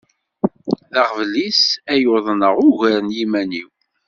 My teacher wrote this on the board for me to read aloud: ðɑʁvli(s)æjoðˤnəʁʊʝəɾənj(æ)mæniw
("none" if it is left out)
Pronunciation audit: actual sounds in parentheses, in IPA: s, i

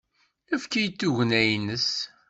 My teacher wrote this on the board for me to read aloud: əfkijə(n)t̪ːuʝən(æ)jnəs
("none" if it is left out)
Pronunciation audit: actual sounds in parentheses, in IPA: none, æ

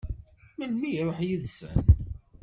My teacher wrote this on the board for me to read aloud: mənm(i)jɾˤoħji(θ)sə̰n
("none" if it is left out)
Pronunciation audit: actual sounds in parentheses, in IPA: i, ð

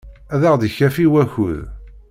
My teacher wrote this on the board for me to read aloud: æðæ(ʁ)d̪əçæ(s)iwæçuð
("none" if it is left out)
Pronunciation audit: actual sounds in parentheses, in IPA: ʁ, f

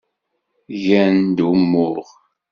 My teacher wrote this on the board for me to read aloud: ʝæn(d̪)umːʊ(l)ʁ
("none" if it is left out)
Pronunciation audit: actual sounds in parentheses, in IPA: d̪, ɾ

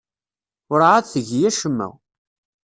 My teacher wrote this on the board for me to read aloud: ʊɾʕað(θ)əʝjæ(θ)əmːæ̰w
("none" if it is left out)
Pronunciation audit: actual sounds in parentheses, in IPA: θ, ʃ

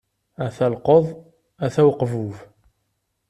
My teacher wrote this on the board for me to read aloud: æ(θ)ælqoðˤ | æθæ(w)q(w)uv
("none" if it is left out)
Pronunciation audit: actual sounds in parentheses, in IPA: θ, w, v

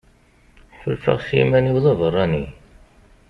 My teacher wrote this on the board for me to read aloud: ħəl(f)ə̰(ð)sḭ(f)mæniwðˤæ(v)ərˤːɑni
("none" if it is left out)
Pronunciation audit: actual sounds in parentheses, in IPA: f, ʁ, none, v

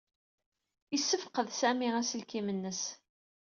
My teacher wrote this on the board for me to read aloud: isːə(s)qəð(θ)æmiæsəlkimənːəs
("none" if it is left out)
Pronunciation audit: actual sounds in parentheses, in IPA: f, s

